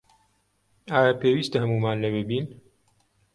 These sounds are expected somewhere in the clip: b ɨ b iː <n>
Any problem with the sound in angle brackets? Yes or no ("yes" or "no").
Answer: no